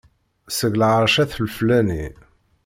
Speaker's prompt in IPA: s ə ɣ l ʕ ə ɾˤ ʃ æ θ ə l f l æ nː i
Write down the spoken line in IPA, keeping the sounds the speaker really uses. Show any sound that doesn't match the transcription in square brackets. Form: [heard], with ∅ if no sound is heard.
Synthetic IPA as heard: s ə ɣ l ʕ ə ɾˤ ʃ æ θ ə l f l æ [n] i